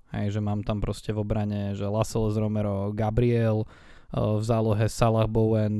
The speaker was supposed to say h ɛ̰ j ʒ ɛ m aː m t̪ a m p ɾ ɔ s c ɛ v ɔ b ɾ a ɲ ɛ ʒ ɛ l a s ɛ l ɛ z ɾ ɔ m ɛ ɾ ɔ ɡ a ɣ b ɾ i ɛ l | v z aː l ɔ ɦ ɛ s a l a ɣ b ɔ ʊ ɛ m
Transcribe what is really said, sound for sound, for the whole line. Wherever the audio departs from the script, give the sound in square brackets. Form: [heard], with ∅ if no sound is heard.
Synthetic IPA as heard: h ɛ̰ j ʒ ɛ m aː m t̪ a m p ɾ ɔ s c ɛ v ɔ b ɾ a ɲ ɛ ʒ ɛ l a s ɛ l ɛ z ɾ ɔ m ɛ ɾ ɔ ɡ a [∅] b ɾ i ɛ l | v z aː l ɔ ɦ ɛ s a l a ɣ b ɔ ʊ ɛ [n]